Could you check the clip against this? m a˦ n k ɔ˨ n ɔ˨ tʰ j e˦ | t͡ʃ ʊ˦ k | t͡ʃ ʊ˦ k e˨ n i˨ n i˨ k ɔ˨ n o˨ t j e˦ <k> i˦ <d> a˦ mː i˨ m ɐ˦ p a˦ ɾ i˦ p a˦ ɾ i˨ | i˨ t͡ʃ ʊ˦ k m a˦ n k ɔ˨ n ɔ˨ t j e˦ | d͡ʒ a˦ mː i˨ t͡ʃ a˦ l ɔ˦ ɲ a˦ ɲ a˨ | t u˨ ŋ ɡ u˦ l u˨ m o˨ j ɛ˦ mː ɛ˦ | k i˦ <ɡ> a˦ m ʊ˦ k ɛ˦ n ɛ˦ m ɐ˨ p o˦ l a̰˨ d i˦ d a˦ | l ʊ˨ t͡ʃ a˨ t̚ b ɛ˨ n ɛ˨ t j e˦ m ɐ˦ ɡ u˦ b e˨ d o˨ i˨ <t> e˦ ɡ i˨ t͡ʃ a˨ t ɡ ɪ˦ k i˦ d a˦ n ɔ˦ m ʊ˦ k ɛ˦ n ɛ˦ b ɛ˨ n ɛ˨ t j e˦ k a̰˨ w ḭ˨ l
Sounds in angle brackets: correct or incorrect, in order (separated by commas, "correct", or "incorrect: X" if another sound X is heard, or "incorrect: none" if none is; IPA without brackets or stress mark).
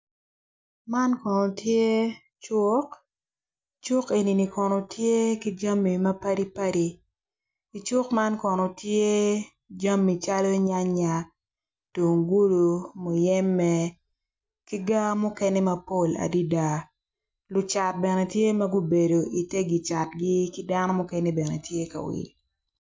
correct, incorrect: d͡ʒ, correct, correct